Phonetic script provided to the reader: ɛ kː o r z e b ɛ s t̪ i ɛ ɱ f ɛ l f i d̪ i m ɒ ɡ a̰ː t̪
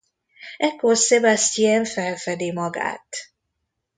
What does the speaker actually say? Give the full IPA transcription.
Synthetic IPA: ɛ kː o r s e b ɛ s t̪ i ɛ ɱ f ɛ l f ɛ d̪ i m ɒ ɡ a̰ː t̪